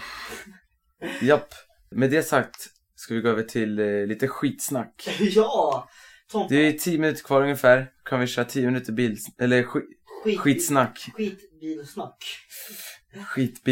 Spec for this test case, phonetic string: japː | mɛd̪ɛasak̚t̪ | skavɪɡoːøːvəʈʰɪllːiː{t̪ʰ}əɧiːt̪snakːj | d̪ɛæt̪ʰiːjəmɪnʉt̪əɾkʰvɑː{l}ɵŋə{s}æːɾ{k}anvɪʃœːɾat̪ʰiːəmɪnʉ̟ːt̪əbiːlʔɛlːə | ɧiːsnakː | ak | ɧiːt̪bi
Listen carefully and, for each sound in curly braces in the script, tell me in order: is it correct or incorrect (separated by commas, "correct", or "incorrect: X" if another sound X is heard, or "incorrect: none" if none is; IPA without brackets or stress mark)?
incorrect: t̪, incorrect: ɾ, incorrect: f, incorrect: kʰ